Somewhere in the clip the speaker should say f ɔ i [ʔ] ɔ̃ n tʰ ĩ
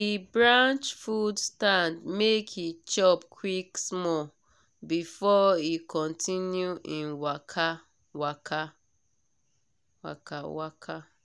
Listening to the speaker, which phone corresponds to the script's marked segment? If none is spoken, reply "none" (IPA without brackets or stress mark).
k